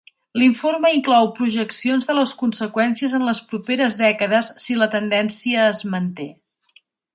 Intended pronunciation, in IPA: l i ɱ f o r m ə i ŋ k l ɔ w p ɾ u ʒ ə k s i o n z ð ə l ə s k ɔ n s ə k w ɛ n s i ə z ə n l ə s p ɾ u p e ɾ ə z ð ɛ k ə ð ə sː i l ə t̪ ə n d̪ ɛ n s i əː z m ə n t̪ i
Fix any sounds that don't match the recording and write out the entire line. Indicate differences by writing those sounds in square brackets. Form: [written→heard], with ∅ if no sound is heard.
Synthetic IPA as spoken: l i ɱ f o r m ə i ŋ k l ɔ w p ɾ u ʒ ə k s i o n z ð ə l ə s k [ɔ→u] n s ə k w ɛ n s i ə z ə n l ə s p ɾ u p e ɾ ə z ð ɛ k ə ð ə sː i l ə t̪ ə n d̪ ɛ n s i əː z m ə n t̪ [i→e]